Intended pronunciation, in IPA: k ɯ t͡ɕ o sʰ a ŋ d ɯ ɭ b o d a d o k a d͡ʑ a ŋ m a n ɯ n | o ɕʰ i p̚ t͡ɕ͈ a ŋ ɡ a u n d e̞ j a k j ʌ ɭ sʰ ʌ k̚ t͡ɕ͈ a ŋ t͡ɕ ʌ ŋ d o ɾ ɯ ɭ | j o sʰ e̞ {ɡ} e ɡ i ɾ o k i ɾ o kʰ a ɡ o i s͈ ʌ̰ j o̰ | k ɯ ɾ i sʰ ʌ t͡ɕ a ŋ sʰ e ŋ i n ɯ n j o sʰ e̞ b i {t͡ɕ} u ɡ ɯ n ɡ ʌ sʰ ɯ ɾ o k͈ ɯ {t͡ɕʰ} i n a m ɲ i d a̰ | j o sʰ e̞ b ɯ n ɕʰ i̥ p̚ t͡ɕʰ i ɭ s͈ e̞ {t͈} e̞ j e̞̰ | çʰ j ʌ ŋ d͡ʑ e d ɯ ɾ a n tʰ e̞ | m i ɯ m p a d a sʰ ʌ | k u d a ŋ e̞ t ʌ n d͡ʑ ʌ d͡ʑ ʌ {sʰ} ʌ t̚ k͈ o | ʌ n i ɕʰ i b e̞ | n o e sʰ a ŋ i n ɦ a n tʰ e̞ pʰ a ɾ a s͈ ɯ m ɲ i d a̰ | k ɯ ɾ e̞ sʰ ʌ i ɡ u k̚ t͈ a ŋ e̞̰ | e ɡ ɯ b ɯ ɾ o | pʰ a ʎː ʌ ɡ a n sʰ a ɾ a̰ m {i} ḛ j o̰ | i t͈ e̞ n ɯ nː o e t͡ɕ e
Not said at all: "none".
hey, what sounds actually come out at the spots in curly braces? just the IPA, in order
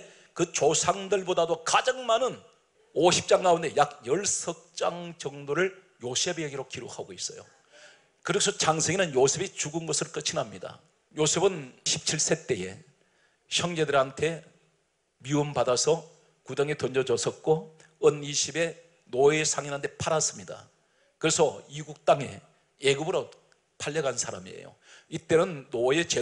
b, t͡ɕ, t͡ɕʰ, t͈, sʰ, i

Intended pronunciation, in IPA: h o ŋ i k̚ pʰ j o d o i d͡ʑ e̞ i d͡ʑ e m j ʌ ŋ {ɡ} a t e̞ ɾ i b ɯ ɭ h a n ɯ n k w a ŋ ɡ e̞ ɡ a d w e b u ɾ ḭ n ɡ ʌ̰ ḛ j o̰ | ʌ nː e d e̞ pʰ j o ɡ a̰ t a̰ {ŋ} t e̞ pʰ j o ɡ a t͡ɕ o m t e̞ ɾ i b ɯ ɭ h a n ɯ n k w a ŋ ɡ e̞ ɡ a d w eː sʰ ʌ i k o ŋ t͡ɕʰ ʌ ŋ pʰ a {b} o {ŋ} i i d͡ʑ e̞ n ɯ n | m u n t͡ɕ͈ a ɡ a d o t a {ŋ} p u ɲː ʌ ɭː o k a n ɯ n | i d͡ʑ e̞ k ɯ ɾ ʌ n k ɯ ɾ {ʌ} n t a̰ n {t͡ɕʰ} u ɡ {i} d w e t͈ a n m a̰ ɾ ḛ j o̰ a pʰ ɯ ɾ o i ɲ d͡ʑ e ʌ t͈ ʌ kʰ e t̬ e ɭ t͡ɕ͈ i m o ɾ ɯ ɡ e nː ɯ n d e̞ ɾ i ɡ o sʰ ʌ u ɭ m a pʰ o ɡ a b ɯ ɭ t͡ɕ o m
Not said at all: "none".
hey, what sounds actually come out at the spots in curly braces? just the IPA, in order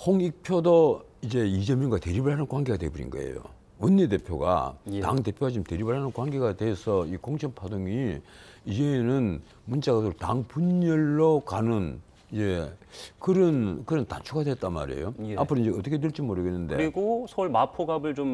ɡ, ŋ, d, ŋ, ŋ, ʌ, t͡ɕʰ, a

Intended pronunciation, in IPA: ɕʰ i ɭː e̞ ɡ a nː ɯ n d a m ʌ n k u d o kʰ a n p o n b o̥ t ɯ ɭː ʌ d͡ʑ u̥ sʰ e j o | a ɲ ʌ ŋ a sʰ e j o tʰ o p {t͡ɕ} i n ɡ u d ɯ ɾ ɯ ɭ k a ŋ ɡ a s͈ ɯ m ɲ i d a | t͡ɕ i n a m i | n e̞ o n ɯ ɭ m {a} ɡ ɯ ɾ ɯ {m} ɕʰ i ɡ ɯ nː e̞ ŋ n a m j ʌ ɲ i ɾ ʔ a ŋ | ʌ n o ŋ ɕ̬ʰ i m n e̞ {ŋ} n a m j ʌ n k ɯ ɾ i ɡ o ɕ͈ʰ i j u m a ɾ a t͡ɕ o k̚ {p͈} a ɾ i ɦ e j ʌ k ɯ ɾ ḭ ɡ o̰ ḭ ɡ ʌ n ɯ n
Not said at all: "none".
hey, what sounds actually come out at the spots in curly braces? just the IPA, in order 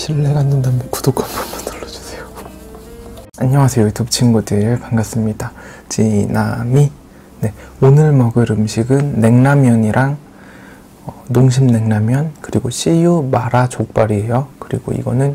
t͡ɕʰ, ʌ, m, ŋ, p͈

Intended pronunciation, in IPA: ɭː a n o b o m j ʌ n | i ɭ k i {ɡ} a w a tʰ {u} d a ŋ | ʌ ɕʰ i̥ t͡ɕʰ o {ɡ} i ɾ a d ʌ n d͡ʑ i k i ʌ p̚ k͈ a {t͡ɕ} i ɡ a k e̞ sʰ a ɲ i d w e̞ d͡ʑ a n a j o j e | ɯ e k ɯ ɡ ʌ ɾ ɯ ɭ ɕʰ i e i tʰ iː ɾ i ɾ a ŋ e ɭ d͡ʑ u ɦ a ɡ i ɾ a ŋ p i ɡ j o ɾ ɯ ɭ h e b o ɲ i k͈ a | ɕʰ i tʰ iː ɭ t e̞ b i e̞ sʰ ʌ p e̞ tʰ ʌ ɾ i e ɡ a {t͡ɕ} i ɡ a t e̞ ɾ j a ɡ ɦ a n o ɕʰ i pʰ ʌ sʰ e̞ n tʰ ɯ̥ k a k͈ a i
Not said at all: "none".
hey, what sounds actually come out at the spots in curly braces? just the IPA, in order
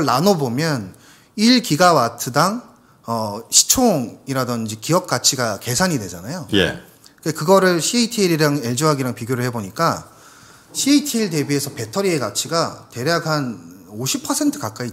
ɡ, ɯ, ŋ, t͡ɕʰ, t͡ɕʰ

